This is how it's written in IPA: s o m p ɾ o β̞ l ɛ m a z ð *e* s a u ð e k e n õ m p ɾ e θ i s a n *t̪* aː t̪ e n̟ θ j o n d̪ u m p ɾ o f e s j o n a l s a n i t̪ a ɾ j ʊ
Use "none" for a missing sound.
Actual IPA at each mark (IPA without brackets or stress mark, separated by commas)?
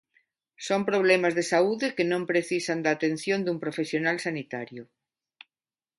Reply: e, d̪